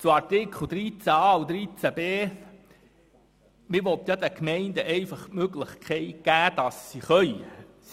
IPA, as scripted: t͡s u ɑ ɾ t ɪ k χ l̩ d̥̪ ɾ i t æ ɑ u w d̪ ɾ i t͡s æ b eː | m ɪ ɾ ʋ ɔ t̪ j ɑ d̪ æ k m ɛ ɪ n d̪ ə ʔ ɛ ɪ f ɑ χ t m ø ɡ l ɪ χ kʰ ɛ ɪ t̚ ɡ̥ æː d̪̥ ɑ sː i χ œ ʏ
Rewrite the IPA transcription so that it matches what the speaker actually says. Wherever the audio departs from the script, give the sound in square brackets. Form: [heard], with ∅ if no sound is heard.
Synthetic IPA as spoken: t͡s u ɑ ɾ t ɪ k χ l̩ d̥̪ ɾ i [t͡s] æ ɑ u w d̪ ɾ i t͡s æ b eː | m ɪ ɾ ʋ ɔ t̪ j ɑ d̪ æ k m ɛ ɪ n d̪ ə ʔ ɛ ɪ f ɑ χ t m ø ɡ l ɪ χ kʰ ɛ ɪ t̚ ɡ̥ æː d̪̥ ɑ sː i χ œ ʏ